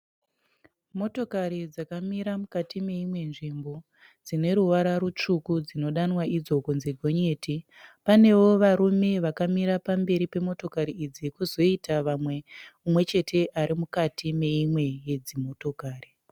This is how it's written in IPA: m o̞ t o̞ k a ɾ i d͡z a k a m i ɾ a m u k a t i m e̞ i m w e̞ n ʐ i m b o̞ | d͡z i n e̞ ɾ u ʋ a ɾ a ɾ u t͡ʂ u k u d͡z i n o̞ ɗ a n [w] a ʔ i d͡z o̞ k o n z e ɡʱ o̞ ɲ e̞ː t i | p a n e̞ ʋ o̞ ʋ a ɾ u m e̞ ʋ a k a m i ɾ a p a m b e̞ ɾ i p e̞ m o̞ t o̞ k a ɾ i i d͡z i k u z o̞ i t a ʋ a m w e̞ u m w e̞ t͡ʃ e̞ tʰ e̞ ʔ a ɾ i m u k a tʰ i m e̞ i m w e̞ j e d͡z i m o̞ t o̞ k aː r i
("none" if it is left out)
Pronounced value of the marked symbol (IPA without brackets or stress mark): w